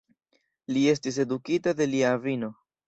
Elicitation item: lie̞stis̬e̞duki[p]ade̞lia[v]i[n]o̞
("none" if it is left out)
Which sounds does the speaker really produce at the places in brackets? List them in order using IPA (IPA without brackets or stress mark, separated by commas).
t, v, n